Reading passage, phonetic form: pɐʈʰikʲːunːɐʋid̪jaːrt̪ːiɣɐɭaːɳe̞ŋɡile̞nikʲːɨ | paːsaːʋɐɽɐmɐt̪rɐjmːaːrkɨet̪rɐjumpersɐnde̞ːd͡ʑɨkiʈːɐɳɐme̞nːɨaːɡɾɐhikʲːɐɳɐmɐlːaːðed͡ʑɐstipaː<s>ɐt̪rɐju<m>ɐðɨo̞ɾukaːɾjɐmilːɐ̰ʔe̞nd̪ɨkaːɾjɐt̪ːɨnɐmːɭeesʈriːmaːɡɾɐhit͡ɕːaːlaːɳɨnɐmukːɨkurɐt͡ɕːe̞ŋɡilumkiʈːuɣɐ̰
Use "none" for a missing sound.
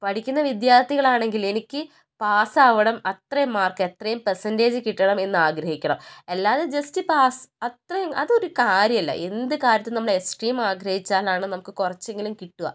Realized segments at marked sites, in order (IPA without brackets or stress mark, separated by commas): s, m